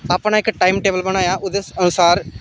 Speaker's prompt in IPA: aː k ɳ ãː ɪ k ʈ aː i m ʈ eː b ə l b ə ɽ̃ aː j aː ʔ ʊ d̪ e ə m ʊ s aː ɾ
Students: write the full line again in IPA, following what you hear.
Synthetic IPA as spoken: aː p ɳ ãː ɪ k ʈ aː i m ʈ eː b ə l b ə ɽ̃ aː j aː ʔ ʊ d̪ e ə n ʊ s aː ɾ